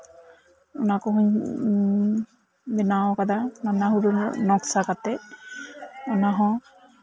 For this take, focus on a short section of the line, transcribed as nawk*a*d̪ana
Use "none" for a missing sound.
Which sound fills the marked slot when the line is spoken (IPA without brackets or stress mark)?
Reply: a